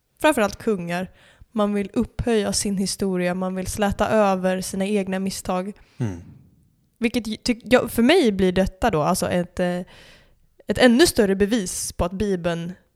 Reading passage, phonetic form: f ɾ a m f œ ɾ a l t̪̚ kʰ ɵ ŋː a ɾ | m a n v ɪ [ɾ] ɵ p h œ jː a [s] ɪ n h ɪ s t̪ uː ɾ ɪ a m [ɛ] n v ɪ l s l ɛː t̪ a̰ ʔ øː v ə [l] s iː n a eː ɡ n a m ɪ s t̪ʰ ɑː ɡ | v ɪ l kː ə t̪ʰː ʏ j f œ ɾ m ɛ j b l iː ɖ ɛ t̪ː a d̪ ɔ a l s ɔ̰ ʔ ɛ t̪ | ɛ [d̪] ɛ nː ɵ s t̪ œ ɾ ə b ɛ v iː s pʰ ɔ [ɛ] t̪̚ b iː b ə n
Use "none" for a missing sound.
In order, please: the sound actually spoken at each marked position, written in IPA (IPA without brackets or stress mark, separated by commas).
l, s, a, ɾ, t̪, a